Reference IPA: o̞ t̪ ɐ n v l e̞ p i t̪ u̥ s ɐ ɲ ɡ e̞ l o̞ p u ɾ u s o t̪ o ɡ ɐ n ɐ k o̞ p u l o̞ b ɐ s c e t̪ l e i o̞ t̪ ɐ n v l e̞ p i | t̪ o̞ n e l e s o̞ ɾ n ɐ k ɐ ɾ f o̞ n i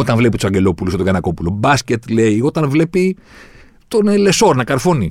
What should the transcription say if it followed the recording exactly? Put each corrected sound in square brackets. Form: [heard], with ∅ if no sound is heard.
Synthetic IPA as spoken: o̞ t̪ ɐ n v l e̞ p i t̪ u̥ s ɐ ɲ [ɟ] e̞ l o̞ p u [l] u s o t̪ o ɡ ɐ n ɐ k o̞ p u l o̞ b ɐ s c e t̪ l e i o̞ t̪ ɐ n v l e̞ p i | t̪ o̞ n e l e s o̞ ɾ n ɐ k ɐ ɾ f o̞ n i